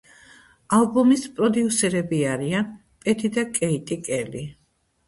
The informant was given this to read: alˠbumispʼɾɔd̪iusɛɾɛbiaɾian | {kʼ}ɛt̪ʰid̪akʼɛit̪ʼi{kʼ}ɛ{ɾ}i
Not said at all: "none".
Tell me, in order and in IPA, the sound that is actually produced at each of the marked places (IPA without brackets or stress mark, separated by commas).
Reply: pʼ, kʼ, l